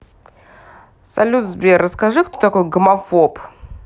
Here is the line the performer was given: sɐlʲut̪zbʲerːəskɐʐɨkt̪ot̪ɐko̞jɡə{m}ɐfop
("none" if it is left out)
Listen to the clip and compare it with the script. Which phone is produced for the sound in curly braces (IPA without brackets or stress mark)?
m